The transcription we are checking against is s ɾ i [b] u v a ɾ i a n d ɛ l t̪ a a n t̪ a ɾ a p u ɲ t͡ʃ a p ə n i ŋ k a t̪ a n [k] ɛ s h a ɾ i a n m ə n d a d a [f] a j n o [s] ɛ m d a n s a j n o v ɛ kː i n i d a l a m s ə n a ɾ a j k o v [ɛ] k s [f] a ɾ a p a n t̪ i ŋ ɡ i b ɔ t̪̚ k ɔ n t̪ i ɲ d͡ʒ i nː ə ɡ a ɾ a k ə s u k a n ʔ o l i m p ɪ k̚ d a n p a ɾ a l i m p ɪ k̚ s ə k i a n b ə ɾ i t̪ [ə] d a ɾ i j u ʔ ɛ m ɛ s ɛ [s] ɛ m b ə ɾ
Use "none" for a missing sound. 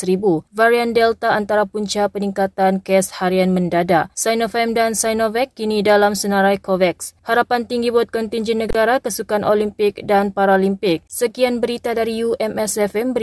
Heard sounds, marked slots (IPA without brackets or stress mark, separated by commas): b, k, s, f, ɛ, h, a, f